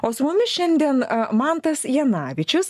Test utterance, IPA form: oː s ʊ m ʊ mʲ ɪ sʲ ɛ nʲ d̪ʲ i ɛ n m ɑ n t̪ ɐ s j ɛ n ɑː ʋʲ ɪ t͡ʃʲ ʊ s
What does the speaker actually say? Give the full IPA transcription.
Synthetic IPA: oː s ʊ m ʊ mʲ ɪ ʃʲ ɛ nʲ d̪ʲ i ɛ n m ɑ n t̪ ɐ s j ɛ n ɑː ʋʲ ɪ t͡ʃʲ ʊ s